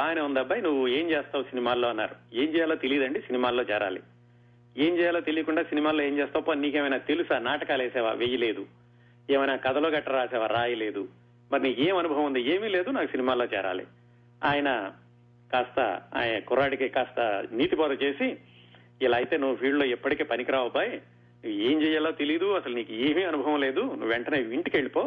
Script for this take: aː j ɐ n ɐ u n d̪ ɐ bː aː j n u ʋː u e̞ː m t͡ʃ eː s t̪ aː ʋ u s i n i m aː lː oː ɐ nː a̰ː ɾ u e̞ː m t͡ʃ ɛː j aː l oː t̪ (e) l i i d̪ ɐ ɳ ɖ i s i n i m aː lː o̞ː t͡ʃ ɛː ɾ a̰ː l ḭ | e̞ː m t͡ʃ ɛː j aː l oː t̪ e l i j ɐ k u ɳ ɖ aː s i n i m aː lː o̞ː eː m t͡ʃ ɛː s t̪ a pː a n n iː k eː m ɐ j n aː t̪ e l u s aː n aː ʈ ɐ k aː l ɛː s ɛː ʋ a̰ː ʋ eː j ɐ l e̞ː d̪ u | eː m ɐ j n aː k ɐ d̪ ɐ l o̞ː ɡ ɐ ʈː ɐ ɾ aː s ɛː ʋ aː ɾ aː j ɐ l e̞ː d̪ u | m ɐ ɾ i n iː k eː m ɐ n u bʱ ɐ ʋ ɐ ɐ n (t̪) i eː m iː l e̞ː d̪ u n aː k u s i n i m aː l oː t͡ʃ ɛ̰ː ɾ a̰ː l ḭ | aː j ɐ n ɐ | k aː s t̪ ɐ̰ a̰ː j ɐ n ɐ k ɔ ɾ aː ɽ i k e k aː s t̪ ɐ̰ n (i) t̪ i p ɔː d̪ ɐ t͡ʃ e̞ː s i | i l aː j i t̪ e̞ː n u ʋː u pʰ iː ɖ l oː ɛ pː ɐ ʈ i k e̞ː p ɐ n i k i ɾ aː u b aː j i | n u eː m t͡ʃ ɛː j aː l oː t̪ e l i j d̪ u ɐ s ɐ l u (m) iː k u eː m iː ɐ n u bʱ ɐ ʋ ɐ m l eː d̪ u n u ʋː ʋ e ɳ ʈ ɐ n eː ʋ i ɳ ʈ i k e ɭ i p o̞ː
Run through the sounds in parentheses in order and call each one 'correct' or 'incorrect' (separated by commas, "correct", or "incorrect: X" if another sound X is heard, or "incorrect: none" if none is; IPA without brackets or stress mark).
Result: correct, incorrect: d̪, incorrect: iː, incorrect: n